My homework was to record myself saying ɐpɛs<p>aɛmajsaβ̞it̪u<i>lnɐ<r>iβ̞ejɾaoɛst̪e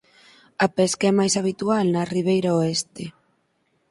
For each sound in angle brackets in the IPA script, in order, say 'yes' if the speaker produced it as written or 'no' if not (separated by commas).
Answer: no, no, yes